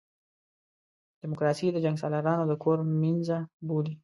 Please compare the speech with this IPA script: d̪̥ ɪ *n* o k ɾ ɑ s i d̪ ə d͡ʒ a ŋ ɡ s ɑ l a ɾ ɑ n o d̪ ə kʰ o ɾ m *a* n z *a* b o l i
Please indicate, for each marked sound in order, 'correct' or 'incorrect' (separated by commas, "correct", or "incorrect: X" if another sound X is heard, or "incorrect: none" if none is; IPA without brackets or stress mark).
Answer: incorrect: m, incorrect: i, correct